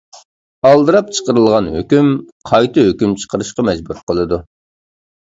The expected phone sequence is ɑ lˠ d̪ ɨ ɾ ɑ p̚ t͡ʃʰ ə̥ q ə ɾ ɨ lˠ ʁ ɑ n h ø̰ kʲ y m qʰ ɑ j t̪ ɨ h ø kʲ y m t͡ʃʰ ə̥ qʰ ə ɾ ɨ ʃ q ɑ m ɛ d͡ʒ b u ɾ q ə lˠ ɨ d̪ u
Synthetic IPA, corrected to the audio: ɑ lˠ d̪ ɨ ɾ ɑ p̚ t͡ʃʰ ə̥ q ə ɾ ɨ lˠ ʁ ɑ n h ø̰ kʲ y m qʰ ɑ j t̪ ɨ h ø kʲ y m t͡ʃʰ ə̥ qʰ ə ɾ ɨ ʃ q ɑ m ɛ d͡ʒ b u ɾ q ə lˠ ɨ d̪ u